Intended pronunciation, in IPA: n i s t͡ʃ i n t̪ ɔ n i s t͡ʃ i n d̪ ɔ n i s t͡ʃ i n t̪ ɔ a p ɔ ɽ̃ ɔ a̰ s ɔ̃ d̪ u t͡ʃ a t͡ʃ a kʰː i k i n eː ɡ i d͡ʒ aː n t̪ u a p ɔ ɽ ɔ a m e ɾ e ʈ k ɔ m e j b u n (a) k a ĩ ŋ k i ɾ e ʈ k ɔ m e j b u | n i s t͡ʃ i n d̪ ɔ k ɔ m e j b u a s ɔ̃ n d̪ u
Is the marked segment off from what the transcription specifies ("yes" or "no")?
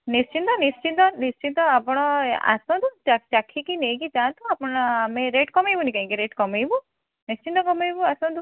yes